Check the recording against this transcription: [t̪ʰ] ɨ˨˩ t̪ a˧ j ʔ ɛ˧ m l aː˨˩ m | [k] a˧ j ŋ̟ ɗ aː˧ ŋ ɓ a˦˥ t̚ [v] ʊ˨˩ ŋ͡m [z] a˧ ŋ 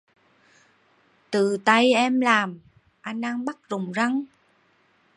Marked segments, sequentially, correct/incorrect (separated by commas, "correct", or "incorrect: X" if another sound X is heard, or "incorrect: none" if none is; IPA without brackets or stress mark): incorrect: t̪, incorrect: ʔ, incorrect: z, correct